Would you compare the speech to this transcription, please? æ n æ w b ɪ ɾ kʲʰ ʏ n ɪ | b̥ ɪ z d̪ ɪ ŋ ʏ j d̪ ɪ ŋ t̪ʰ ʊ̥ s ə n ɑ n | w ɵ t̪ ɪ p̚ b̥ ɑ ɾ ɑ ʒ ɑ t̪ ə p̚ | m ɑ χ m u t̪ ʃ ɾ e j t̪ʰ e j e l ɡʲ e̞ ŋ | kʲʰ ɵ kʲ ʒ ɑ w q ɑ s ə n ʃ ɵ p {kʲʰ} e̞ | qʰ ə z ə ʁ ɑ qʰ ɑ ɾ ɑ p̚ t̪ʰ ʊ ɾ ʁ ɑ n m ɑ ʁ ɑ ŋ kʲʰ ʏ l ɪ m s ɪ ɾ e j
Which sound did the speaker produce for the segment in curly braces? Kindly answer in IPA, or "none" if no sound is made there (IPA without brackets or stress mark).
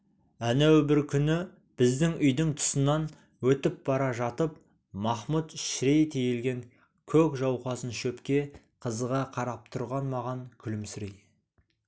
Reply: kʲ